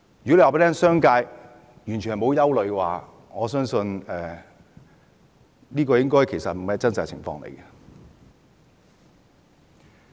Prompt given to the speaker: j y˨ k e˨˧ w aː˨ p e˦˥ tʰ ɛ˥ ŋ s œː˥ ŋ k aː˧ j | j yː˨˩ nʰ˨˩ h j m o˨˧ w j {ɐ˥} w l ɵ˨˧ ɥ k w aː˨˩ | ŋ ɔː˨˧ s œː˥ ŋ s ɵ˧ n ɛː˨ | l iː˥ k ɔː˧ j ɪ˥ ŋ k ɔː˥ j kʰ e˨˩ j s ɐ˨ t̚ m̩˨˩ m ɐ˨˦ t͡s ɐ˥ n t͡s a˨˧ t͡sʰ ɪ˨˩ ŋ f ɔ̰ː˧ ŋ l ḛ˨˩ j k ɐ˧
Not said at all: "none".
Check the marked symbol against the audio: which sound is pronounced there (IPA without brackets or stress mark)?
ɐ˥